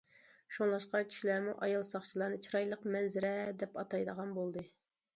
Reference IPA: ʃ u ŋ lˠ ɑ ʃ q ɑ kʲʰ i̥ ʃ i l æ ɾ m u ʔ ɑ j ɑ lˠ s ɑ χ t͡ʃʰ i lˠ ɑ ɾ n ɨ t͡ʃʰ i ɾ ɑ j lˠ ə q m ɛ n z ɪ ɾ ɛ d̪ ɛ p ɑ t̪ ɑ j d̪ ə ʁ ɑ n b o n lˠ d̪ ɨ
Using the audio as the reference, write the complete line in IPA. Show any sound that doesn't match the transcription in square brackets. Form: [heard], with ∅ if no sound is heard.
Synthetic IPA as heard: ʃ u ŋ lˠ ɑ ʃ q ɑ kʲʰ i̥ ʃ i l æ ɾ m u ʔ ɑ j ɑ lˠ s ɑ χ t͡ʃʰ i lˠ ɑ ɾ n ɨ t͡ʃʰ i ɾ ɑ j lˠ ə q m ɛ n z ɪ ɾ ɛ d̪ ɛ p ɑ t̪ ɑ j d̪ ə ʁ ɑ n b o [∅] lˠ d̪ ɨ